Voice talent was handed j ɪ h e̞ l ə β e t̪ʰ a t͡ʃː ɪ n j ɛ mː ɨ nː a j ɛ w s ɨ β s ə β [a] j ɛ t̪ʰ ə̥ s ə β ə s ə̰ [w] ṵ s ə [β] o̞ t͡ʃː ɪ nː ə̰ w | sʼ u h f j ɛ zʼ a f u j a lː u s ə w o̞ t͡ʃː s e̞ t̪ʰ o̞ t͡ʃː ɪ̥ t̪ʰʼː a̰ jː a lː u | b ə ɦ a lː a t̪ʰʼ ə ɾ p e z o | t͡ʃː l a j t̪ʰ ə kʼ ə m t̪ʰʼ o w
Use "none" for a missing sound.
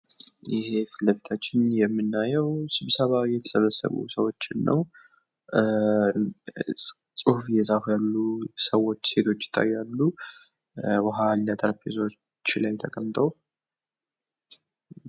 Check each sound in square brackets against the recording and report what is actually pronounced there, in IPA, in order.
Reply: a, β, w

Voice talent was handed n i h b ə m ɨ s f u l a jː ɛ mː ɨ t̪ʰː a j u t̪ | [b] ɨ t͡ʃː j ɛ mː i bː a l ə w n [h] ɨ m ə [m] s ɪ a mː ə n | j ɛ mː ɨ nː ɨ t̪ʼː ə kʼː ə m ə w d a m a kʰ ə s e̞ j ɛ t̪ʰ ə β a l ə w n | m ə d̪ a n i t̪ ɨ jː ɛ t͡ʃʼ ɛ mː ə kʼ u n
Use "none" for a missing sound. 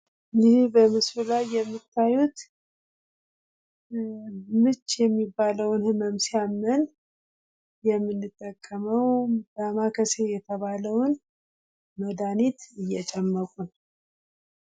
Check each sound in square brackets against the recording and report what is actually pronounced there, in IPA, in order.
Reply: m, h, m

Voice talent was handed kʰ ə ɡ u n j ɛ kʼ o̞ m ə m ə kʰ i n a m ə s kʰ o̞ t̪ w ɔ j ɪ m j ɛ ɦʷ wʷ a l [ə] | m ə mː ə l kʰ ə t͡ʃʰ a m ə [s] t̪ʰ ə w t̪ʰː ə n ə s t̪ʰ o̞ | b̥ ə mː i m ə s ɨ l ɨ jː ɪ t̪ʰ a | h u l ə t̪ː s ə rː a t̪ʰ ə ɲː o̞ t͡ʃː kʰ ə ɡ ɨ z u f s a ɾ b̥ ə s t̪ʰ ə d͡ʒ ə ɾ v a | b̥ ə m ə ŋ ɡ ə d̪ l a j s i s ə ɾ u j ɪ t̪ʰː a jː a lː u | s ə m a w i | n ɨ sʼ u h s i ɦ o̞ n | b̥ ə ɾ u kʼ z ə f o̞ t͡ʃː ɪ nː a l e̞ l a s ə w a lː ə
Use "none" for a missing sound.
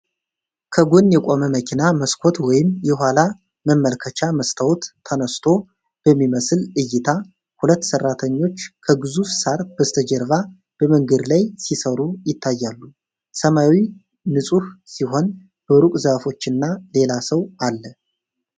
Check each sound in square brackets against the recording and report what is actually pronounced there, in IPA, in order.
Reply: a, s

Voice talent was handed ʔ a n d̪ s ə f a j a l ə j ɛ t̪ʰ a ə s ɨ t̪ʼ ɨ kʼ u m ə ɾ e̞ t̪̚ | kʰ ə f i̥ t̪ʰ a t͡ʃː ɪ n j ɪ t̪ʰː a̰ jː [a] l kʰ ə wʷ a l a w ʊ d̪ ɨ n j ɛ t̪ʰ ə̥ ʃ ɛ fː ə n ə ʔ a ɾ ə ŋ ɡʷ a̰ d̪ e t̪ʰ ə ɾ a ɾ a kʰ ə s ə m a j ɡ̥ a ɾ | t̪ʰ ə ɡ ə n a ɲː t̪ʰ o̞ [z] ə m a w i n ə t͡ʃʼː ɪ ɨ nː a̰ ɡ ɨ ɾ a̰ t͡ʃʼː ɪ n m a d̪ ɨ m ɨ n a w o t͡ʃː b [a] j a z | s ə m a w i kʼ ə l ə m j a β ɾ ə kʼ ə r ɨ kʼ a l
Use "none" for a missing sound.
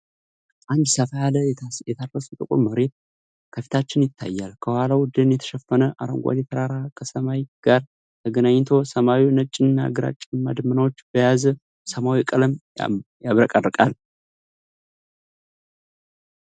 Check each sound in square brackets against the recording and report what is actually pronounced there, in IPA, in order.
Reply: a, s, ə

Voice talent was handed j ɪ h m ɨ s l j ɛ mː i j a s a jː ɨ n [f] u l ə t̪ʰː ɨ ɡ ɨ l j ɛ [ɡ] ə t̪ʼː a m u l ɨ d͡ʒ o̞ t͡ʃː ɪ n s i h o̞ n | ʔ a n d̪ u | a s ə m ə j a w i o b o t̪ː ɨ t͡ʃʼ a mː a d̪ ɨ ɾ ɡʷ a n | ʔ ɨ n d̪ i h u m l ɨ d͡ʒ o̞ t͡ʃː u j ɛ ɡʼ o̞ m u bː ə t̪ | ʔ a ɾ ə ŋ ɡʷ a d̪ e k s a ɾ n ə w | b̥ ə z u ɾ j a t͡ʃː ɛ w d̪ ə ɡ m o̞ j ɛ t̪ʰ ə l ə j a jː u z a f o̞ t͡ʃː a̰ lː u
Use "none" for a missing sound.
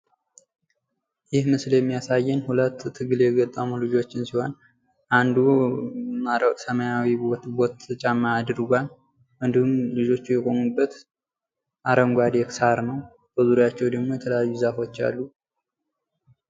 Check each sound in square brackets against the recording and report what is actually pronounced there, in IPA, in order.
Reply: h, ɡ

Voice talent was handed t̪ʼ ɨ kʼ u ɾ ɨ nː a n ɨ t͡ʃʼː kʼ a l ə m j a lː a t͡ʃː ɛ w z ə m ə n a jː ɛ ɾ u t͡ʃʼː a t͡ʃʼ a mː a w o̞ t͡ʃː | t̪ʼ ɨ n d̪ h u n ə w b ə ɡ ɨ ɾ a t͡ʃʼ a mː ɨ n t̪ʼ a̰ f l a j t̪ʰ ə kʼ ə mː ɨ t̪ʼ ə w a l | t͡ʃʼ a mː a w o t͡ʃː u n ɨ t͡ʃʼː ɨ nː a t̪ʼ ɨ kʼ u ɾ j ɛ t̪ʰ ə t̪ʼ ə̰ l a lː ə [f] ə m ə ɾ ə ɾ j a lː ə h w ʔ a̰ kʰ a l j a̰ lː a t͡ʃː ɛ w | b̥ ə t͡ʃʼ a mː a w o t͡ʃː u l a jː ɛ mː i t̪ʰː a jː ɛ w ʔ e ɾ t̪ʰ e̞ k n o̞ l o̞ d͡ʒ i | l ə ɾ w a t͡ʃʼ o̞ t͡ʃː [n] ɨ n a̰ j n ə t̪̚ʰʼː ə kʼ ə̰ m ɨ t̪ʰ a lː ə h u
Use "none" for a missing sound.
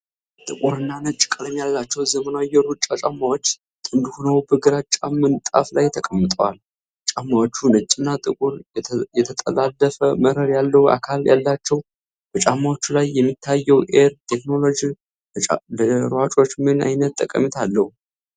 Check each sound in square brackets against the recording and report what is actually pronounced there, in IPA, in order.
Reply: f, m

